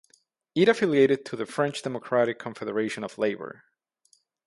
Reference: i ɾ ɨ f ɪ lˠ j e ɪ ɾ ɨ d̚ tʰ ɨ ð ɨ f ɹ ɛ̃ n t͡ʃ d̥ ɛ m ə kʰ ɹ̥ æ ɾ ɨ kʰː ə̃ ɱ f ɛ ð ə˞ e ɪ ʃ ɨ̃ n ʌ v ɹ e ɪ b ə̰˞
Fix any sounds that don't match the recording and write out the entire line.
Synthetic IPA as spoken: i ɾ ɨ f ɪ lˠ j e ɪ ɾ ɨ d̚ tʰ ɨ ð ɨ f ɹ ɛ̃ n t͡ʃ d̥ ɛ m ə kʰ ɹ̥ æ ɾ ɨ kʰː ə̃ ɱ f ɛ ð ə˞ e ɪ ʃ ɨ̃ n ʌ v l e ɪ b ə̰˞